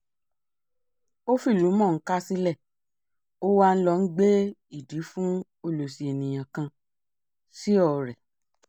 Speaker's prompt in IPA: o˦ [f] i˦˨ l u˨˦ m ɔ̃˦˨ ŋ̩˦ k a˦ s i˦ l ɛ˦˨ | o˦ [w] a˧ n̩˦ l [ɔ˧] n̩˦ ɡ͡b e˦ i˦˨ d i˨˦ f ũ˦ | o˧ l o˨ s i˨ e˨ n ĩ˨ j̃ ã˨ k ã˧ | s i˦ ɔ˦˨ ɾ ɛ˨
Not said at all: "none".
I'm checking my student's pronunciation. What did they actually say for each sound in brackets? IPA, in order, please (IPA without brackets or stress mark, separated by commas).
f, w, ɔ˧